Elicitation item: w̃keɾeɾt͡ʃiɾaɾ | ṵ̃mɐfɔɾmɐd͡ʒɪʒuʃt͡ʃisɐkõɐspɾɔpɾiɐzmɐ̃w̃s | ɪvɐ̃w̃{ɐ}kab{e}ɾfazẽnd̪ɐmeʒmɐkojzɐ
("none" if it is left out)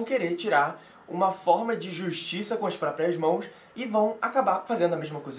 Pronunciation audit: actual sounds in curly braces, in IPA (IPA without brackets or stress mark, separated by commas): a, a